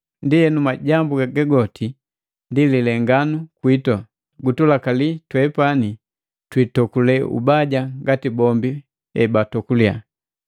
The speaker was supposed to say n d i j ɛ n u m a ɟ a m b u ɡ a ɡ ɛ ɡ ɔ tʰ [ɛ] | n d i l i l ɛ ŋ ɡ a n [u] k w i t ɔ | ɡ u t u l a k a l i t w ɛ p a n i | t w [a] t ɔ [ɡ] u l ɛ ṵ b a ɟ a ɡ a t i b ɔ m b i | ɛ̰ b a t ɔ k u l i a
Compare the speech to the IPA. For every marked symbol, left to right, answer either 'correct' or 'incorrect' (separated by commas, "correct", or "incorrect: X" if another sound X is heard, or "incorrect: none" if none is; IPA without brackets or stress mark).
incorrect: i, correct, incorrect: i, incorrect: k